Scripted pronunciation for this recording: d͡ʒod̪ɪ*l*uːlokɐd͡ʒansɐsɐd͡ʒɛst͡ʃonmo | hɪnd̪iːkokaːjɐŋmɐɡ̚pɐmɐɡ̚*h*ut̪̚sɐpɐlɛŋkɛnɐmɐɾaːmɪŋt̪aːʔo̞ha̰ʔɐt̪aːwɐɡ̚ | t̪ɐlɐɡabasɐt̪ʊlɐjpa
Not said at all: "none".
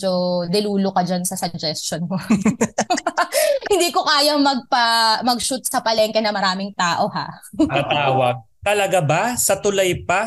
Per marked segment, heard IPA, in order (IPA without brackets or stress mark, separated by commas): l, ʃ